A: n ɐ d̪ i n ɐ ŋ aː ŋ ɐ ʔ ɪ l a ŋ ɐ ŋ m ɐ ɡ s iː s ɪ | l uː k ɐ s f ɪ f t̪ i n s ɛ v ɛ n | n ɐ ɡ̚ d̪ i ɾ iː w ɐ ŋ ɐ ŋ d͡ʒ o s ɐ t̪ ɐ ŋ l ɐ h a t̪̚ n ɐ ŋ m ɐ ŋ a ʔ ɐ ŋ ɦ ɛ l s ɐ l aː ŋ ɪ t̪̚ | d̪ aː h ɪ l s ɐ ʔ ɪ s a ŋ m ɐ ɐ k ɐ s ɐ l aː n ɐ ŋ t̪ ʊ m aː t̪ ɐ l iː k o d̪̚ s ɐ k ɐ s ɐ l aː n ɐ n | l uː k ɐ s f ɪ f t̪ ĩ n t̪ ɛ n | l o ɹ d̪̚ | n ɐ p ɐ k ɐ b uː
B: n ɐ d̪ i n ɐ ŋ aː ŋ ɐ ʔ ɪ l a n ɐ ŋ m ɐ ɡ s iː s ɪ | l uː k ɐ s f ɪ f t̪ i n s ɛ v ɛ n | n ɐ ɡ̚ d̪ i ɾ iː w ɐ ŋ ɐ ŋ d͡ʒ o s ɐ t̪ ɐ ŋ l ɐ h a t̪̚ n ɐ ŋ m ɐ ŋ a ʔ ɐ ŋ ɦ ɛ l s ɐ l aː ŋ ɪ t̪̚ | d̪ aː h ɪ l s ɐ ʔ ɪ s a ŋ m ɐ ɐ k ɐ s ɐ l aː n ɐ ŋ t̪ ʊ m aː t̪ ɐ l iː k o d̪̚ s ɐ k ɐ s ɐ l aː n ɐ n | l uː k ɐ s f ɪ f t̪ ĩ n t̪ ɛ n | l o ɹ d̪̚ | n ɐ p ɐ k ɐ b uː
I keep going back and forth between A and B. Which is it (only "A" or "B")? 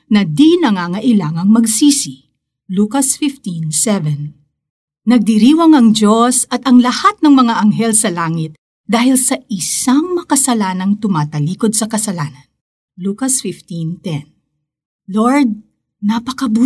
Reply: A